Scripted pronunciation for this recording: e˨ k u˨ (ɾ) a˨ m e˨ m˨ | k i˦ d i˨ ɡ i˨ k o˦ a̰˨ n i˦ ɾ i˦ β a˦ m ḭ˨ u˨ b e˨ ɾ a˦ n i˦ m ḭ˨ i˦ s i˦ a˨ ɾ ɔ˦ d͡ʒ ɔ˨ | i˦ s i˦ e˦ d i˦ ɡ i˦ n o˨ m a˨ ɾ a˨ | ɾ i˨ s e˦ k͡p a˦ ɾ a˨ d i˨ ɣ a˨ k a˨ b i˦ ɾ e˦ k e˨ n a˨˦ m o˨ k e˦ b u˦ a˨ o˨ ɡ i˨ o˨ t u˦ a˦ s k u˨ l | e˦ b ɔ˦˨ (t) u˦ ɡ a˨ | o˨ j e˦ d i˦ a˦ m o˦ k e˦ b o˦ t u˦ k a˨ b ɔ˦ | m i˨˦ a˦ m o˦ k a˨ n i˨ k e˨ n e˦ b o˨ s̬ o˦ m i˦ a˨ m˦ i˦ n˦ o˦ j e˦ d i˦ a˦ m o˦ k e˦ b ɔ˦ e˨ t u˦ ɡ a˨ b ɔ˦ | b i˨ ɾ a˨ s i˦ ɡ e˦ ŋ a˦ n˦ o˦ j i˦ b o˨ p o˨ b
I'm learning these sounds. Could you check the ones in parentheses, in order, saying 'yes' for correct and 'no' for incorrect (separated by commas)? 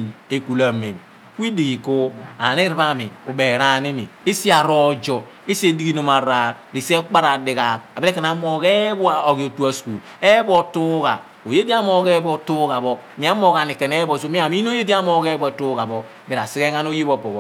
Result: no, yes